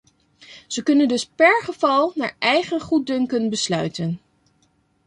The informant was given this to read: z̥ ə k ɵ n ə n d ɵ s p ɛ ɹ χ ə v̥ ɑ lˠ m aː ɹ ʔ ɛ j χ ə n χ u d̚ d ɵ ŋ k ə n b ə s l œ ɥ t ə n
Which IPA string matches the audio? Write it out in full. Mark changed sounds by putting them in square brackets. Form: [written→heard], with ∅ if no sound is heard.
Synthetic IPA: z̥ ə k ɵ n ə n d ɵ s p ɛ ɹ χ ə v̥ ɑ lˠ [m→n] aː ɹ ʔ ɛ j χ ə n χ u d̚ d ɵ ŋ k ə n b ə s l œ ɥ t ə n